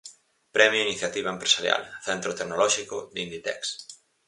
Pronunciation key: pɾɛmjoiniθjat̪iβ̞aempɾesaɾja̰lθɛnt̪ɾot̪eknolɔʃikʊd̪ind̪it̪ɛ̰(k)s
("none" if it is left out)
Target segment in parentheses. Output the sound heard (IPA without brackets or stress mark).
k